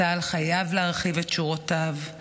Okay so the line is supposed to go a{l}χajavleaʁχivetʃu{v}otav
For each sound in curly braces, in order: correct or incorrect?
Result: correct, incorrect: ʁ

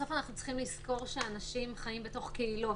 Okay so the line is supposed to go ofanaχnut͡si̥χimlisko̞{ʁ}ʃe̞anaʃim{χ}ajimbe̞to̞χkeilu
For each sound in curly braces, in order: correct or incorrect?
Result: correct, correct

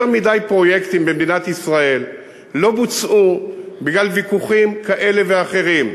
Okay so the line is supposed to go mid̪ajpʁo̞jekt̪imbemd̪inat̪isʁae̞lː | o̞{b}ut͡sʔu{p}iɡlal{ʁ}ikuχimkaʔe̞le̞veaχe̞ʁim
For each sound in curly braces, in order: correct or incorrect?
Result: correct, incorrect: b, incorrect: v

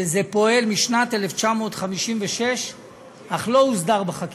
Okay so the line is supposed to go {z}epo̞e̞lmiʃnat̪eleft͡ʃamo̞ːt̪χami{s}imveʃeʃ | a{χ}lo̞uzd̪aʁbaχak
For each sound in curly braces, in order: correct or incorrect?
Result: correct, incorrect: ʃ, correct

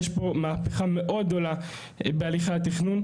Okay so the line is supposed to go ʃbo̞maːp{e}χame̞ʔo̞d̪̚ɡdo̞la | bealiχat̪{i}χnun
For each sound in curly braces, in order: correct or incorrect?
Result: correct, correct

